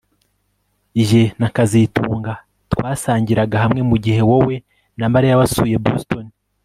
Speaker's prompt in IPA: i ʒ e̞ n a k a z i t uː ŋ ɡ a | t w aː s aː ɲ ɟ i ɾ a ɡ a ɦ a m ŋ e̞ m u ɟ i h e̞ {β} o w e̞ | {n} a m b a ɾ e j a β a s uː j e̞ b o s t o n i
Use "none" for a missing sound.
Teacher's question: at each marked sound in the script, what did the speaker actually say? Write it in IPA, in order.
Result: w, n

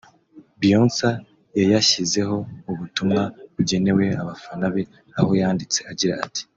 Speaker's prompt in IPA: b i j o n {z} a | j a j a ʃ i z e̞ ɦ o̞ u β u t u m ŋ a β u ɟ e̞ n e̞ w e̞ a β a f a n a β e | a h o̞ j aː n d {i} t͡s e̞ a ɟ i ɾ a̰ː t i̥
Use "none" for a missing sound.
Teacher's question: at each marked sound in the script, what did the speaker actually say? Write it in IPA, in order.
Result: s, i

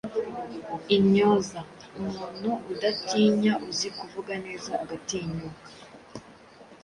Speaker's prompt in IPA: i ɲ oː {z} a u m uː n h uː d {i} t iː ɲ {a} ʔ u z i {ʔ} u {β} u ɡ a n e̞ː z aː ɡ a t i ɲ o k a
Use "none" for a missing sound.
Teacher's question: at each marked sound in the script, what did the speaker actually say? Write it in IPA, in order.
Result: z, a, a, k, v

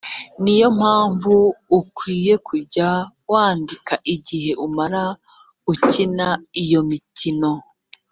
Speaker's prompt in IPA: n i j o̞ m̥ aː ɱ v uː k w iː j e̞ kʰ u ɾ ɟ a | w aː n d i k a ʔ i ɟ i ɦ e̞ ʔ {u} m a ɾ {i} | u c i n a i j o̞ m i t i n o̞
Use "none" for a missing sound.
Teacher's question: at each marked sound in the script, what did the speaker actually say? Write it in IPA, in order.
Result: u, a

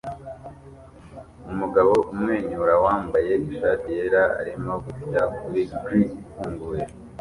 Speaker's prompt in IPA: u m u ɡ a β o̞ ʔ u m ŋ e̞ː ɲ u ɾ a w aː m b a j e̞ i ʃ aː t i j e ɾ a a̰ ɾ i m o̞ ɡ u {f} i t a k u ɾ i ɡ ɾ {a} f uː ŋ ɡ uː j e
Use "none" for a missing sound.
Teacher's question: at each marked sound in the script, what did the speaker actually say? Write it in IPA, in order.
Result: f, i

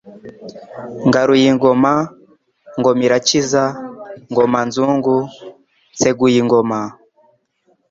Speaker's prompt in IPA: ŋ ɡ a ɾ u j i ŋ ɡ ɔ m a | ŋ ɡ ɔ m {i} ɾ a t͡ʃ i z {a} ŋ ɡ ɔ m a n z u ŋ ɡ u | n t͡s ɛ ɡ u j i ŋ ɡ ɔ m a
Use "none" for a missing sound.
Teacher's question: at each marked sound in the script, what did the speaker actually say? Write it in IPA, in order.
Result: i, a

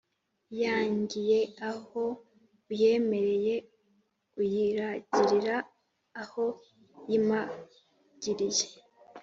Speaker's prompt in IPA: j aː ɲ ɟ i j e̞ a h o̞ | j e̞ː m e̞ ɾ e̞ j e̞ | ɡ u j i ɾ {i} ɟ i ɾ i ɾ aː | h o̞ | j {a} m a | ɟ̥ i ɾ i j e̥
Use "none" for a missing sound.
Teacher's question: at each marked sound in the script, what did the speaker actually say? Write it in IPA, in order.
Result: a, i

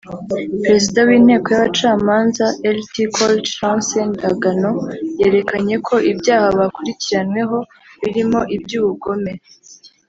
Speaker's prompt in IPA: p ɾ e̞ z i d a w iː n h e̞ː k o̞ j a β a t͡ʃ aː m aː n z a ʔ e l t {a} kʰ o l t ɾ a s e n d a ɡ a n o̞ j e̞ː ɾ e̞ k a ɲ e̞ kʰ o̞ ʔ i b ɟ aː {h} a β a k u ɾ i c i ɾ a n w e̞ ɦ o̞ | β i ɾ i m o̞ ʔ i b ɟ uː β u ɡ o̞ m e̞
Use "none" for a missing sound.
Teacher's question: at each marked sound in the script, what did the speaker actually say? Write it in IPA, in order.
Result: i, h

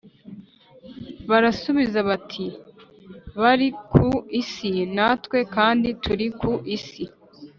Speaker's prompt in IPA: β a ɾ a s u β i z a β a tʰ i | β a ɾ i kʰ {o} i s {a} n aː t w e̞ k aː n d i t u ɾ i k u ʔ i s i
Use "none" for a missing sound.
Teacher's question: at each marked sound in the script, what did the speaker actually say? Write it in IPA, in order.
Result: u, i

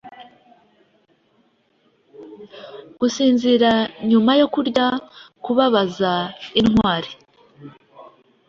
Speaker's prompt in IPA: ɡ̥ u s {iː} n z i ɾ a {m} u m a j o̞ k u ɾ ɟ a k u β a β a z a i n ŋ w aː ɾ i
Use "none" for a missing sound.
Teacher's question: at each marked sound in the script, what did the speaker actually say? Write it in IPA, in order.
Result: iː, ɲ

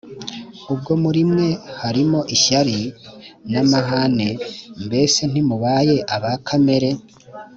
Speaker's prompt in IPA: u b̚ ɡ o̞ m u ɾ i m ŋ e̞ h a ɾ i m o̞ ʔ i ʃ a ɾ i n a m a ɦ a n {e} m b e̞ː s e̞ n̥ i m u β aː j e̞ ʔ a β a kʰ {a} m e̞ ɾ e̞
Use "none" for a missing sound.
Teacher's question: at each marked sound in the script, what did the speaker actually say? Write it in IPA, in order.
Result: e, a

